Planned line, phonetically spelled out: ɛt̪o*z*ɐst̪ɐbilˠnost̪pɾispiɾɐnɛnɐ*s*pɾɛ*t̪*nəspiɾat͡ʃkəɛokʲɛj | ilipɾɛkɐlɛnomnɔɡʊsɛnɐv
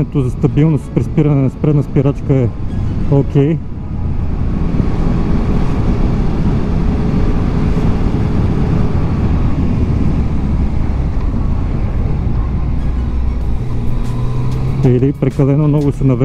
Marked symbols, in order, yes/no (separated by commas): yes, yes, no